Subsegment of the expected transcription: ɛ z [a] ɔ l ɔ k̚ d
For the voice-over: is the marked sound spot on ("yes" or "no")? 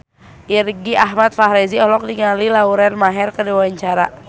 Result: no